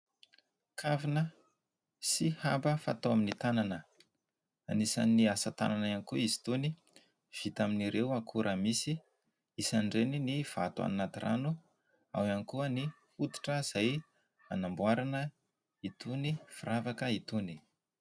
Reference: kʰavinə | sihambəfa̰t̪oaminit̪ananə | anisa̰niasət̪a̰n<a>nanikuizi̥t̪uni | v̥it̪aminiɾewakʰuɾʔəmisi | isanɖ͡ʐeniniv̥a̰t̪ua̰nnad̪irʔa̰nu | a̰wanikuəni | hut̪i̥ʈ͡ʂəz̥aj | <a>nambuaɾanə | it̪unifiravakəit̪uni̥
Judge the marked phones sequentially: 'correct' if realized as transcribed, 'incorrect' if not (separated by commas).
correct, correct